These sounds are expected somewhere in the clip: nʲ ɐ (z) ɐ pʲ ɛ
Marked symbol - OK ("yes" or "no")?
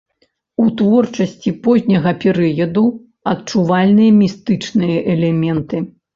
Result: no